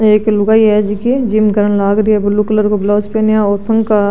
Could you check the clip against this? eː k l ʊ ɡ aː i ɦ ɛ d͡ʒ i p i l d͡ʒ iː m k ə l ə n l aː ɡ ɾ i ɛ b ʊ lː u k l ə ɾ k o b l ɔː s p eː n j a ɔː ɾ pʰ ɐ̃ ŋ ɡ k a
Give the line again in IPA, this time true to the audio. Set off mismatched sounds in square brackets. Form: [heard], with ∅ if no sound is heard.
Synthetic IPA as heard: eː k l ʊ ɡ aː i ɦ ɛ d͡ʒ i [k] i [∅] d͡ʒ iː m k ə [ɾ] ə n l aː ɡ ɾ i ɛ b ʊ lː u k l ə ɾ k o b l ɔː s p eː n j a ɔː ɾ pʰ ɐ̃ ŋ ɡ k a